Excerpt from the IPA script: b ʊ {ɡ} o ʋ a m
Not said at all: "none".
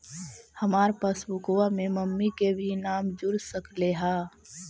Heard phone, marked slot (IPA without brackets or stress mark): k